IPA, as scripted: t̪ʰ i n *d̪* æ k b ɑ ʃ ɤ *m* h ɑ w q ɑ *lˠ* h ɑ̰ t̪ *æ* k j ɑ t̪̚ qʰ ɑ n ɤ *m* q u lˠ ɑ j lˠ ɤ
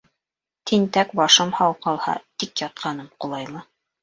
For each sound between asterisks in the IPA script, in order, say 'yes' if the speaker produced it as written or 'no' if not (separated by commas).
no, yes, yes, no, yes